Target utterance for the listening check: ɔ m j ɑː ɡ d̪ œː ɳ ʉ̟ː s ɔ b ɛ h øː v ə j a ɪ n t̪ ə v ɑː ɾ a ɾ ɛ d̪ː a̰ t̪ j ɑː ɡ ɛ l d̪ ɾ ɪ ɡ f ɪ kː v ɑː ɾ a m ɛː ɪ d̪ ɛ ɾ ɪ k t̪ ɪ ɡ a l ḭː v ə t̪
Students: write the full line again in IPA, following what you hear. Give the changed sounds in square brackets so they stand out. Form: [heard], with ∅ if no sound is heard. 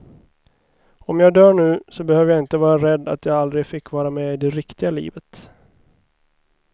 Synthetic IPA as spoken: ɔ m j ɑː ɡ d̪ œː ɳ ʉ̟ː s ɔ b ɛ h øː v ə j a ɪ n t̪ ə v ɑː ɾ a ɾ ɛ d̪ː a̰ t̪ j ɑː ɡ [a] l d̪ ɾ ɪ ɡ f ɪ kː v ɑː ɾ a m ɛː ɪ d̪ ɛ ɾ ɪ k t̪ ɪ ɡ a l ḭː v ə t̪